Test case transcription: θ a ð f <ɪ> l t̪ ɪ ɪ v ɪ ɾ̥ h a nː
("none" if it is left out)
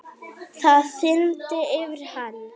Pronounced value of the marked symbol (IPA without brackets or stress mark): ɪ